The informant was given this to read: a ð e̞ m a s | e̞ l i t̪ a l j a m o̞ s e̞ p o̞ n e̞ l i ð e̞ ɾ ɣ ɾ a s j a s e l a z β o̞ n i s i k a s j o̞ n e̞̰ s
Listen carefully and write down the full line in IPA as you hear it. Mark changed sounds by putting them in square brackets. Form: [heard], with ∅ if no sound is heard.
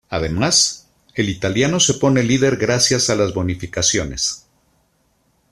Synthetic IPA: a ð e̞ m a s | e̞ l i t̪ a l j a [n] o̞ s e̞ p o̞ n e̞ l i ð e̞ ɾ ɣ ɾ a s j a s [a] l a z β o̞ n i [f] i k a s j o̞ n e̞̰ s